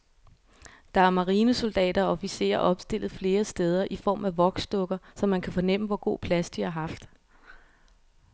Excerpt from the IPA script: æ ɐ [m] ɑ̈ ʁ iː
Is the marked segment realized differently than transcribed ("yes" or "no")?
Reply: no